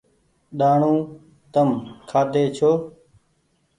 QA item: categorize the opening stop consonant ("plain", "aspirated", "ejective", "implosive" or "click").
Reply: implosive